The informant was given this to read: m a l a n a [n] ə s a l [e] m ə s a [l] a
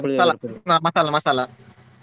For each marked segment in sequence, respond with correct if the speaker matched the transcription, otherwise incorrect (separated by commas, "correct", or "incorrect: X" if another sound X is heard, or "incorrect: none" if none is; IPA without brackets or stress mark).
incorrect: m, incorrect: a, correct